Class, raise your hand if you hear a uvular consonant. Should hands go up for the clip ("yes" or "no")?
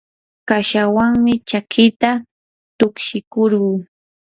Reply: yes